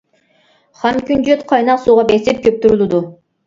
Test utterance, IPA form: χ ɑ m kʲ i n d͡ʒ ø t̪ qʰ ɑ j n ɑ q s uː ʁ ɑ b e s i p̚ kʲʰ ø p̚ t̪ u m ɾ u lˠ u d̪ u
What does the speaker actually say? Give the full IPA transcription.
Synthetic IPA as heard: χ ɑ m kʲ y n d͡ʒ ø t̪ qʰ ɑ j n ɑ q s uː ʁ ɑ b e s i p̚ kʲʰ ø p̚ t̪ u ɾ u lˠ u d̪ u